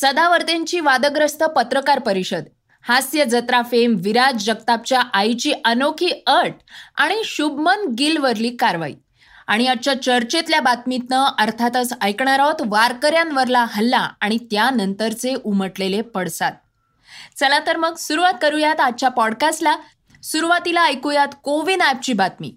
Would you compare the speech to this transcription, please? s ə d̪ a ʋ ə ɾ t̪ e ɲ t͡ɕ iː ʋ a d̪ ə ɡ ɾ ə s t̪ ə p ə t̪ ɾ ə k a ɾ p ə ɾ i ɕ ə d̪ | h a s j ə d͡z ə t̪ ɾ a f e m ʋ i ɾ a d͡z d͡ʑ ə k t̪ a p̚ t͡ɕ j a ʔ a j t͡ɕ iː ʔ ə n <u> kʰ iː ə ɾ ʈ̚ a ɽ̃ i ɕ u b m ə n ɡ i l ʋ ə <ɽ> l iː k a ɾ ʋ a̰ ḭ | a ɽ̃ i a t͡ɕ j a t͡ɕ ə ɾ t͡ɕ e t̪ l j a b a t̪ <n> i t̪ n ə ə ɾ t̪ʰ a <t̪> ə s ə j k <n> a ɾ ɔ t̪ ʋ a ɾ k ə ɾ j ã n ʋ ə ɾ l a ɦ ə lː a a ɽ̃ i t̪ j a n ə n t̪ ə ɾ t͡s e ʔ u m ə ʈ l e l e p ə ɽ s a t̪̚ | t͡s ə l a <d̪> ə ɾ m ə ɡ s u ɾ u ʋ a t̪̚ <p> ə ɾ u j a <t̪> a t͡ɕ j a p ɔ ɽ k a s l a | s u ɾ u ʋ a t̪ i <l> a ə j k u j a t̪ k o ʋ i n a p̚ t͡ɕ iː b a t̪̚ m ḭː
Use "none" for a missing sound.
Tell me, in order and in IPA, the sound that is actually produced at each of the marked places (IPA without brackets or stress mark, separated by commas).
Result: o, ɾ, m, t̪, ɳ, t̪, k, t̪, l